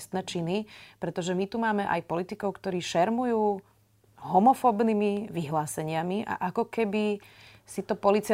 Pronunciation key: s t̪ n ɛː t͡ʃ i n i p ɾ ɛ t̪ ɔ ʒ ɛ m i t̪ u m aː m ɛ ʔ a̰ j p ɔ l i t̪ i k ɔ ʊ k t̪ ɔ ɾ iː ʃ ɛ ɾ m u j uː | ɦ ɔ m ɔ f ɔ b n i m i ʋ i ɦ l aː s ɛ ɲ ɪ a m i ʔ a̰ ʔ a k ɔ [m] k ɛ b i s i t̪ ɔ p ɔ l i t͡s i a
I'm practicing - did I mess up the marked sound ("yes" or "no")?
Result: yes